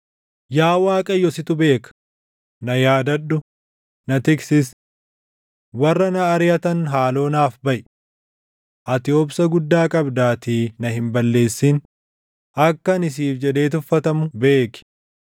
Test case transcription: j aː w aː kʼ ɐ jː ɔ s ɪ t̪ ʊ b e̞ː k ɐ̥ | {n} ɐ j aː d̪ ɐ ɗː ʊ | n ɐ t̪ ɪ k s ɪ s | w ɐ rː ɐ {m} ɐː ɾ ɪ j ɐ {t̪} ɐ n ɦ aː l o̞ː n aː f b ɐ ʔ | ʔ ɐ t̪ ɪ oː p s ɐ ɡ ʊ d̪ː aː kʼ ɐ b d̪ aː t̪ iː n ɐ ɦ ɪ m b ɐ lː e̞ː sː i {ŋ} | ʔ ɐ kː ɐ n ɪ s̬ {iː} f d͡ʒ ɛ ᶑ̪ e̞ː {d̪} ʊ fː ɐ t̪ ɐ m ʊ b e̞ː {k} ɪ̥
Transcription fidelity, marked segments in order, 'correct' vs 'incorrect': correct, incorrect: n, correct, incorrect: n, correct, incorrect: t̪, correct

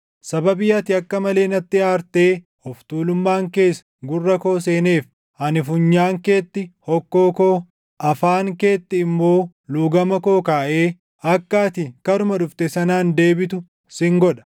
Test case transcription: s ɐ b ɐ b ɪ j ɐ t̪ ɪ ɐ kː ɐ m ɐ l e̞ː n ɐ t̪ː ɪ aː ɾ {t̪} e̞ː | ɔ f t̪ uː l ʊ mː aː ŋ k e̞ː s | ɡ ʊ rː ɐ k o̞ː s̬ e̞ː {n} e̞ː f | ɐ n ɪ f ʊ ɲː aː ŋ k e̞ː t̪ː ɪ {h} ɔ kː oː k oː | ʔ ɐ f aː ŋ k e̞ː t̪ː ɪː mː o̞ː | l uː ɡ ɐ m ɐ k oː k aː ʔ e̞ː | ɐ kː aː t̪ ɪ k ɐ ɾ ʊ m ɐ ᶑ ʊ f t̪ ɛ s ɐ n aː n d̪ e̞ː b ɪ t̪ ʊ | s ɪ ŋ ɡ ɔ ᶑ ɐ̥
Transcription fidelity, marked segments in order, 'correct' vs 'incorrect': correct, correct, correct

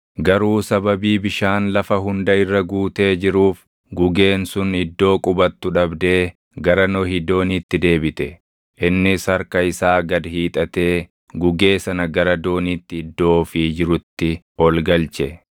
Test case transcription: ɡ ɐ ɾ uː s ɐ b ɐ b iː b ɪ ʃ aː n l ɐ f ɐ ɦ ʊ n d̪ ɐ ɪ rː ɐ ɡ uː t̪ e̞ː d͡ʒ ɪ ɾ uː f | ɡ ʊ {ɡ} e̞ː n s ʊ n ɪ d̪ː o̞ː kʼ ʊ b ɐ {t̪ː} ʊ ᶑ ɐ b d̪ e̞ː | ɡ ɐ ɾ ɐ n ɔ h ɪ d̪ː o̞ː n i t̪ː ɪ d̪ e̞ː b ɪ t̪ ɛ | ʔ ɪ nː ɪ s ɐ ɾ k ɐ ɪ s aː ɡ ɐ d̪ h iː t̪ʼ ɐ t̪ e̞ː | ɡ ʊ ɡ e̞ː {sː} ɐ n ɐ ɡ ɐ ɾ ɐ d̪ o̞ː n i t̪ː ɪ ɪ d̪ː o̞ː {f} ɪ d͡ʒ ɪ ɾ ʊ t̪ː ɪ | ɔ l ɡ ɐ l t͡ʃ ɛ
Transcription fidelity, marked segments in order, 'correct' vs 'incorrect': correct, correct, incorrect: s, correct

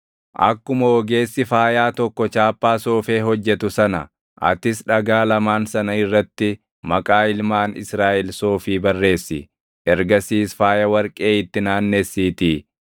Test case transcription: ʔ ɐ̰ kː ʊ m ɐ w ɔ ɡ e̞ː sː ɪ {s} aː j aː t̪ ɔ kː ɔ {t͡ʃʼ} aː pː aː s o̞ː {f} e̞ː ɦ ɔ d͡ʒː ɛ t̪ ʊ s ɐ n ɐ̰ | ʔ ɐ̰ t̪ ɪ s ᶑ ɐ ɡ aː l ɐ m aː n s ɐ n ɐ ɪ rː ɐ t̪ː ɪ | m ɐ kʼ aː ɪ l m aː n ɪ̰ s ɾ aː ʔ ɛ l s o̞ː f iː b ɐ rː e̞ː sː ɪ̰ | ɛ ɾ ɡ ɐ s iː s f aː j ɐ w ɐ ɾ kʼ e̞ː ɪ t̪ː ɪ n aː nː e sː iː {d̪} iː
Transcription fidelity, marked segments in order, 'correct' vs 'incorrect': incorrect: f, incorrect: t͡ʃ, correct, incorrect: t̪

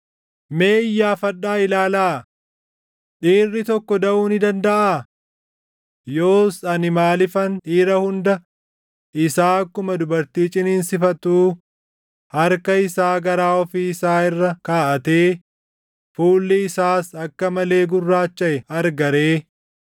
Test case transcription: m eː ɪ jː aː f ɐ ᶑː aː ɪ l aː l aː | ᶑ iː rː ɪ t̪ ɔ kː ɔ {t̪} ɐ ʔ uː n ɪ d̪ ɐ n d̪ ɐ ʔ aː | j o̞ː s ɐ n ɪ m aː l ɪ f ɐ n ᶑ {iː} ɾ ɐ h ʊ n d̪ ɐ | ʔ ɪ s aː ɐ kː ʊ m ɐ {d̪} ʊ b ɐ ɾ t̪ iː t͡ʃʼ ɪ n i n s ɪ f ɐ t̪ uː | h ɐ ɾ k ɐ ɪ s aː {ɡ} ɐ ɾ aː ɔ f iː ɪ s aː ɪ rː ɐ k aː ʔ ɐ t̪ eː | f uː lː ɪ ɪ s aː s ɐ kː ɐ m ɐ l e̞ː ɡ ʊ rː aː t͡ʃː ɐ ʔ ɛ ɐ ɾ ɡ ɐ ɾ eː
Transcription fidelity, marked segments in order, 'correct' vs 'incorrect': incorrect: d̪, correct, correct, correct

